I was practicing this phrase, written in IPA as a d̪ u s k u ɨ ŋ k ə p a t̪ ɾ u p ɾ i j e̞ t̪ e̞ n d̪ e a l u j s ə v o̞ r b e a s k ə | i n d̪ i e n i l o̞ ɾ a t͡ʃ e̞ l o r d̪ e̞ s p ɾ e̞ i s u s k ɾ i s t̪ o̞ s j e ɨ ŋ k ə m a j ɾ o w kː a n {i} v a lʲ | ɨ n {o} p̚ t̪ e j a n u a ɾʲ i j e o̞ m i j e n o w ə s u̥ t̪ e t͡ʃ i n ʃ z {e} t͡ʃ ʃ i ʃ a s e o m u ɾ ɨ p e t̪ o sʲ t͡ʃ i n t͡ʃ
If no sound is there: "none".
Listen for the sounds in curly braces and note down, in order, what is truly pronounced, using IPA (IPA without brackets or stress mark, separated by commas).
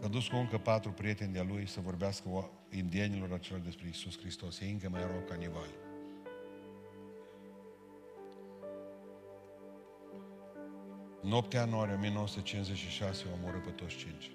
i, o, e